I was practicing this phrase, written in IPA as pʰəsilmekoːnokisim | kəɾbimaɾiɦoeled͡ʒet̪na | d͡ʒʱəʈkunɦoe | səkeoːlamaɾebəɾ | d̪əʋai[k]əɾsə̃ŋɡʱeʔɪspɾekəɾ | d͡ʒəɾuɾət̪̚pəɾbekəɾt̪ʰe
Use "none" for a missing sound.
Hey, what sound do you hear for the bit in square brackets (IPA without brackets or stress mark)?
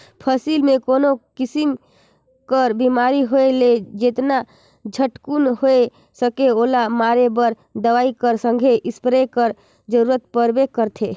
k